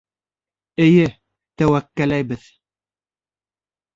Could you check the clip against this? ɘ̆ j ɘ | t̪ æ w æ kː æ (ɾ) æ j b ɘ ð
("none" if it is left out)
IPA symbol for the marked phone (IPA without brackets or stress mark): l